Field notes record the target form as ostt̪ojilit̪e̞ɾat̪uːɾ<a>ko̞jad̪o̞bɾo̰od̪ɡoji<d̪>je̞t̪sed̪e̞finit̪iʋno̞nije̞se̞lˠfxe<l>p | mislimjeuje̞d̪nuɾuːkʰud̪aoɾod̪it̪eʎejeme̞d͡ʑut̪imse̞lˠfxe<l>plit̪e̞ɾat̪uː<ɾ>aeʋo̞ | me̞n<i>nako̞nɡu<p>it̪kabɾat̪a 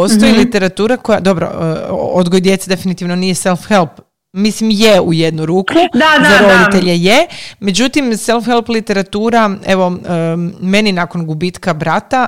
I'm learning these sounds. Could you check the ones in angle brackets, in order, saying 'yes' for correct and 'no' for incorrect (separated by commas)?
yes, yes, yes, yes, yes, yes, no